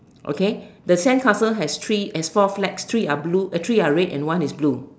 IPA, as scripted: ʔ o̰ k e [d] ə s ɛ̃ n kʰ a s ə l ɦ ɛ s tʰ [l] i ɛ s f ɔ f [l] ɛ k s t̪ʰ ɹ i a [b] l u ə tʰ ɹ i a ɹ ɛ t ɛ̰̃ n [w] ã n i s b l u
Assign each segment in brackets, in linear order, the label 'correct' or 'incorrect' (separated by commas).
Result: correct, incorrect, correct, correct, correct